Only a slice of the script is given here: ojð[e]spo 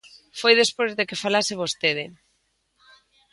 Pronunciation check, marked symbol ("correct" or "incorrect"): correct